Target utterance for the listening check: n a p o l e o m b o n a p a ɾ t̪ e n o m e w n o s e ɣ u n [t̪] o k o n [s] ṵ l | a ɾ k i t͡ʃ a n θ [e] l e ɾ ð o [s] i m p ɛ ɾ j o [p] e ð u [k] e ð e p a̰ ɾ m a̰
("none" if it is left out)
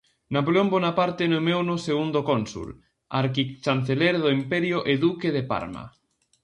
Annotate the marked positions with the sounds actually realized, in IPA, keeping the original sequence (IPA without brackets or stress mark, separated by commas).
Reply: d̪, s, e, none, ʔ, k